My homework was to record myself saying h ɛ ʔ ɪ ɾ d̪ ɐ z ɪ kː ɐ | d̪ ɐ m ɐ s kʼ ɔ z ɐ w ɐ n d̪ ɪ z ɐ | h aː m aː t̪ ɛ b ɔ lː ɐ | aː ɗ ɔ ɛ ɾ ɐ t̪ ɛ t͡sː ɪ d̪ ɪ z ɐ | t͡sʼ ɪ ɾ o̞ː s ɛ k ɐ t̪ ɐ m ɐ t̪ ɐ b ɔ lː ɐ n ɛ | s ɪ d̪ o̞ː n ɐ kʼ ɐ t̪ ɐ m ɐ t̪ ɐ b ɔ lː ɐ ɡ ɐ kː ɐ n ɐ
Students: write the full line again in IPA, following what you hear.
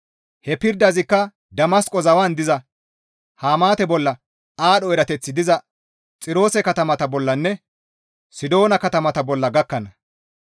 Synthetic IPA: h ɛ p ɪ ɾ d̪ ɐ z ɪ kː ɐ | d̪ ɐ m ɐ s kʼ ɔ z ɐ w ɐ n d̪ ɪ z ɐ | h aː m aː t̪ ɛ b ɔ lː ɐ | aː ɗ ɔ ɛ ɾ ɐ t̪ ɛ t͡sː ɪ d̪ ɪ z ɐ | t͡sʼ ɪ ɾ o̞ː s ɛ k ɐ t̪ ɐ m ɐ t̪ ɐ b ɔ lː ɐ nː ɛ | s ɪ d̪ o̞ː n ɐ k ɐ t̪ ɐ m ɐ t̪ ɐ b ɔ lː ɐ ɡ ɐ kː ɐ n ɐ

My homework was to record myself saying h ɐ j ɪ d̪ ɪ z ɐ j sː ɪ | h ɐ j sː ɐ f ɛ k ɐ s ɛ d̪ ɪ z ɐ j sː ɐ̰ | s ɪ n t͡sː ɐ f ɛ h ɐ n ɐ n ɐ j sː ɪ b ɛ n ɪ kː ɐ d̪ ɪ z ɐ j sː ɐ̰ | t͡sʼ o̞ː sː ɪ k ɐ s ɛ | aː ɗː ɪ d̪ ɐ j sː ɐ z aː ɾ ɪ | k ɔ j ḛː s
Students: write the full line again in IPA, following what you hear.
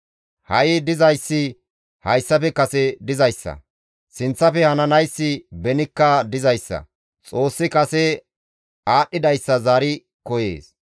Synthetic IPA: h ɐ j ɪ d̪ ɪ z ɐ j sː ɪ | h ɐ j sː ɐ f ɛ k ɐ s ɛ d̪ ɪ z ɐ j sː ɐ̰ | s ɪ n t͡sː ɐ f ɛ h ɐ n ɐ n ɐ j sː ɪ b ɛ n ɪ kː ɐ d̪ ɪ z ɐ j sː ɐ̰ | t͡sʼ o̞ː sː ɪ k ɐ s ɛ | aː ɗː ɪ d̪ ɐ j sː ɐ z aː ɾ ɪ | k ɔ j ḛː s

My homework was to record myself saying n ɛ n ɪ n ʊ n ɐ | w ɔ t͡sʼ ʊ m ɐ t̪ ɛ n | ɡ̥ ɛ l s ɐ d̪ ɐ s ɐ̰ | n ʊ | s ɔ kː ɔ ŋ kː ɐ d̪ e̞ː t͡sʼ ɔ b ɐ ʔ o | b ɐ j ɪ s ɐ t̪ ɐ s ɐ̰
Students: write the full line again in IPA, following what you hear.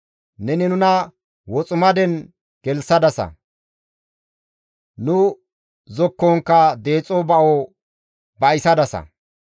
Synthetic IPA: n ɛ n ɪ n ʊ n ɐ | w ɔ t͡sʼ ʊ m ɐ d̪ ɛ n | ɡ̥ ɛ l s ɐ d̪ ɐ s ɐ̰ | n ʊ | z ɔ kː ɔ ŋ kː ɐ d̪ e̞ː t͡sʼ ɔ b ɐ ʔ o | b ɐ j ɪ s ɐ d̪ ɐ s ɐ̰

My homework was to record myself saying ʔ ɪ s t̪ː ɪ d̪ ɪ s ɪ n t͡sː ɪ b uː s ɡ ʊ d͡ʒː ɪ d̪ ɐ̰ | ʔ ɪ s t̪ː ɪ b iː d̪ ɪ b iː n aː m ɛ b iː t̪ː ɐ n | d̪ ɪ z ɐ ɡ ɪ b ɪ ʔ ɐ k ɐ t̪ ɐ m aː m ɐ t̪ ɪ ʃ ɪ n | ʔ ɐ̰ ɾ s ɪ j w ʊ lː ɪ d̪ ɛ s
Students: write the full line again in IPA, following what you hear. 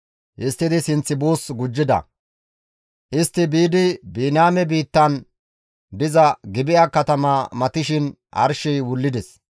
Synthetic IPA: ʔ ɪ s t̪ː ɪ d̪ ɪ s ɪ n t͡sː ɪ b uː s ɡ ʊ d͡ʒː ɪ d̪ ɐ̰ | ʔ ɪ s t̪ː ɪ b iː d̪ ɪ b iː n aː m ɛ b iː t̪ː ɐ n | d̪ ɪ z ɐ ɡ ɪ b ɪ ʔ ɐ k ɐ t̪ ɐ m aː m ɐ t̪ ɪ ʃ ɪ n | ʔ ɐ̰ ɾ ʃ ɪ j w ʊ lː ɪ d̪ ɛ s

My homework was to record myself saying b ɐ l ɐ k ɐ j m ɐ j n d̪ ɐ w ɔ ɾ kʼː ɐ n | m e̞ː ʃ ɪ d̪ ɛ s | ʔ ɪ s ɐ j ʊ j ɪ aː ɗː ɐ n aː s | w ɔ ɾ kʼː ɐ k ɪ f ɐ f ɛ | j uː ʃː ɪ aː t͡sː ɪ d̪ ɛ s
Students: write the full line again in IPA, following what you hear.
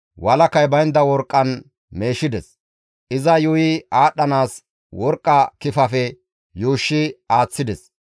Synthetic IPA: w ɐ l ɐ k ɐ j b ɐ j n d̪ ɐ w ɔ ɾ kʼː ɐ n | m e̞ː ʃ ɪ d̪ ɛ s | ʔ ɪ z ɐ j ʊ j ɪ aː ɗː ɐ n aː s | w ɔ ɾ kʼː ɐ k ɪ f ɐ f ɛ | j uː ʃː ɪ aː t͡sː ɪ d̪ ɛ s

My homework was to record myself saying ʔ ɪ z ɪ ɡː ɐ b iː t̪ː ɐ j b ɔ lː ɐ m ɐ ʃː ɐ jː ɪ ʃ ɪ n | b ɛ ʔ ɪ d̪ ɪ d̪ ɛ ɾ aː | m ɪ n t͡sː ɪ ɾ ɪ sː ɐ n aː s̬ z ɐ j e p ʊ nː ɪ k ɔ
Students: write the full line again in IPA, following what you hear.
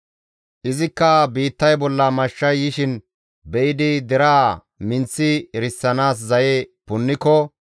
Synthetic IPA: ʔ ɪ z ɪ kː ɐ b iː t̪ː ɐ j b ɔ lː ɐ m ɐ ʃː ɐ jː ɪ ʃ ɪ n | b ɛ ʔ ɪ d̪ ɪ d̪ ɛ ɾ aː | m ɪ n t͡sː ɪ ɾ ɪ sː ɐ n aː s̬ z ɐ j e p ʊ nː ɪ k ɔ

